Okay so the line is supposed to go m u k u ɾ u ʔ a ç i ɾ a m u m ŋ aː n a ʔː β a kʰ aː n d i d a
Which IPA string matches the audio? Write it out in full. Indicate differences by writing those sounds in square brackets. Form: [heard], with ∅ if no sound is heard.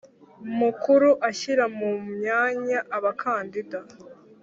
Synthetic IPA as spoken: m u k u ɾ u ʔ a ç i ɾ a m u m [ɲ] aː [ɲ] a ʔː β a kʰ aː n d i d a